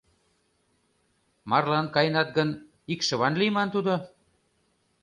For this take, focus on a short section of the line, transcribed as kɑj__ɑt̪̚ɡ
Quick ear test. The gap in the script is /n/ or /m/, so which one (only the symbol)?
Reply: n